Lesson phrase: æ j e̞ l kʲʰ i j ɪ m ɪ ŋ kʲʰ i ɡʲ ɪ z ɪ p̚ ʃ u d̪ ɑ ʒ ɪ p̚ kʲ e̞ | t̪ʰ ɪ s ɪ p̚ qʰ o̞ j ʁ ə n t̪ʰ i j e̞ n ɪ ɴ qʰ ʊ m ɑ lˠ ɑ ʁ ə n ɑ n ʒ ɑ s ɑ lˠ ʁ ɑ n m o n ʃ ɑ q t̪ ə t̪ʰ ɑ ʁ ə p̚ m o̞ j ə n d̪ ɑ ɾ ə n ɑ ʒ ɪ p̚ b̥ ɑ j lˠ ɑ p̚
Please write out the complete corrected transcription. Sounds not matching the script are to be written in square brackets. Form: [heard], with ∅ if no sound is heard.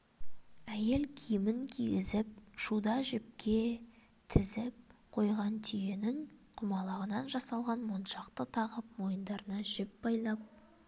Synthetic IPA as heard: æ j e̞ l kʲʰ i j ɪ m ɪ ŋ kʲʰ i ɡʲ ɪ z ɪ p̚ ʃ u d̪ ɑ ʒ ɪ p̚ kʲ e̞ | t̪ʰ ɪ [z] ɪ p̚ qʰ o̞ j ʁ [ɑ] n t̪ʰ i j e̞ n ɪ [ŋ] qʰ ʊ m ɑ lˠ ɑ ʁ ə n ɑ n ʒ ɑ s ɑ lˠ ʁ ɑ n m o n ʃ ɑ q t̪ ə t̪ʰ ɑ ʁ ə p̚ m o̞ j ə n d̪ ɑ ɾ ə n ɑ ʒ ɪ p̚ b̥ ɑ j lˠ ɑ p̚